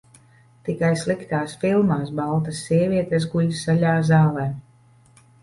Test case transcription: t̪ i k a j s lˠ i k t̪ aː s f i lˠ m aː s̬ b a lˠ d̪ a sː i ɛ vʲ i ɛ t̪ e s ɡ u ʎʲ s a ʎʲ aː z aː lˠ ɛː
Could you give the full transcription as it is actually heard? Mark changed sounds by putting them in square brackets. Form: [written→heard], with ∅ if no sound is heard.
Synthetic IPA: t̪ i k a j s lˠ i k t̪ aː s f i lˠ m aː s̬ b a lˠ [d̪→t̪] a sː i ɛ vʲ i ɛ t̪ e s ɡ u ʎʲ s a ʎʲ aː z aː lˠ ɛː

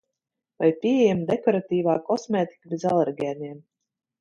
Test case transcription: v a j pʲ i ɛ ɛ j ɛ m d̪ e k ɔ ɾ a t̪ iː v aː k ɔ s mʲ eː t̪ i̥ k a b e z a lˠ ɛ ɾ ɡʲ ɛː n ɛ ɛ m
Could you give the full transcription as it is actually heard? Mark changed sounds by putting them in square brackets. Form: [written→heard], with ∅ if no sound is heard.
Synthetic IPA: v a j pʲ i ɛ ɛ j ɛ m d̪ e k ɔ ɾ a t̪ iː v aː k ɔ s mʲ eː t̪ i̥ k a b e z a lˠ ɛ ɾ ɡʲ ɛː n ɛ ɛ m

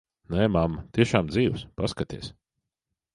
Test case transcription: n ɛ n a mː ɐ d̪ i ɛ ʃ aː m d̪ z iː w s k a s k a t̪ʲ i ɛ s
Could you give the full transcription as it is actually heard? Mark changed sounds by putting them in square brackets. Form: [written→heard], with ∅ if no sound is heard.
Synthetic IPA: n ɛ [n→m] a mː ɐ [d̪→t̪] i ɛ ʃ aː m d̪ z iː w s [k→p] a s k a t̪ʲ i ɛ s

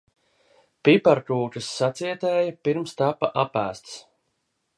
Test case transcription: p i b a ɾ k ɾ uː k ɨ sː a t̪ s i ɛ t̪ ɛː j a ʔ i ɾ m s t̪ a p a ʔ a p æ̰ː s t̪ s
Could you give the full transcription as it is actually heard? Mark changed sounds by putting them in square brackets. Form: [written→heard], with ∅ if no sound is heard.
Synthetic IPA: p i [b→p] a ɾ k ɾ uː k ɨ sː a t̪ s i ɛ t̪ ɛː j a [ʔ→p] i ɾ m s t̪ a p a ʔ a p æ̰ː s t̪ s

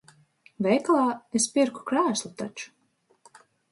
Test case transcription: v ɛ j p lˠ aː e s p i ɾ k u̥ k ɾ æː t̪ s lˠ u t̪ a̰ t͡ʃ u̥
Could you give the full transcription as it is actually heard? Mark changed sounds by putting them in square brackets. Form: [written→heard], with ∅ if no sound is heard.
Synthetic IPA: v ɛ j [p→k] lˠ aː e s p i ɾ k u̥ k ɾ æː [t̪→∅] s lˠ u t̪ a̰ t͡ʃ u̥

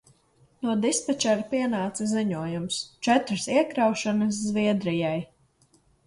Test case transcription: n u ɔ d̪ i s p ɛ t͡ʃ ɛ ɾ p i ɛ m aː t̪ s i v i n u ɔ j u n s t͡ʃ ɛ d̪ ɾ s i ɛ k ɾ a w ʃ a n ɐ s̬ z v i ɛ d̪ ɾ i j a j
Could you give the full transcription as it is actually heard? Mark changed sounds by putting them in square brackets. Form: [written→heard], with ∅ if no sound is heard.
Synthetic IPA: n u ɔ d̪ i s p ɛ t͡ʃ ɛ ɾ p i ɛ [m→n] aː t̪ s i [v→z] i [n→ɲ] u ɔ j u [n→m] s t͡ʃ ɛ [d̪→t̪] ɾ s i ɛ k ɾ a w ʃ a n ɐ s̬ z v i ɛ d̪ ɾ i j a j

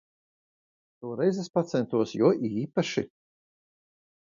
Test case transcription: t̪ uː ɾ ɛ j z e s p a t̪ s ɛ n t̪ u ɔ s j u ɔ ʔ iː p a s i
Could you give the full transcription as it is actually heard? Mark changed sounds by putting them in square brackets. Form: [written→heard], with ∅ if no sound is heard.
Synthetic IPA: t̪ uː ɾ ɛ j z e s p a t̪ s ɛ n t̪ u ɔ s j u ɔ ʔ iː p a [s→ʃ] i

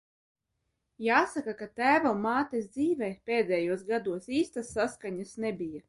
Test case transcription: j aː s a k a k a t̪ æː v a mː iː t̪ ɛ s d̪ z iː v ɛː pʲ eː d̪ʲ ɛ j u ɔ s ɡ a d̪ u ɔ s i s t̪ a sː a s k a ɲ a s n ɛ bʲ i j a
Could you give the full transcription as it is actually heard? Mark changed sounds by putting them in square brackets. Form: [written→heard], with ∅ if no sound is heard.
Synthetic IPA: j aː s a k a k a t̪ æː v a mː [iː→aː] t̪ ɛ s d̪ z iː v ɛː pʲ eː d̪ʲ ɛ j u ɔ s ɡ a d̪ u ɔ s [i→iː] s t̪ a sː a s k a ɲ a s n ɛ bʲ i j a

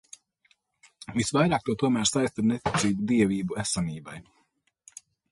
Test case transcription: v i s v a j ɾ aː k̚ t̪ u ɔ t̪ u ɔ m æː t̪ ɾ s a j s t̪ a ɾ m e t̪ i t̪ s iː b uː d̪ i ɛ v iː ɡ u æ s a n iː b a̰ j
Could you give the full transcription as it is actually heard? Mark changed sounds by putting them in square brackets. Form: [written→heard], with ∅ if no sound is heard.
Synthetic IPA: v i s v a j ɾ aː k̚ t̪ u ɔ t̪ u ɔ m æː [t̪→∅] ɾ s a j s t̪ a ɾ [m→n] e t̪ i t̪ s iː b [uː→u] d̪ i ɛ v iː [ɡ→b] u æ s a n iː b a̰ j

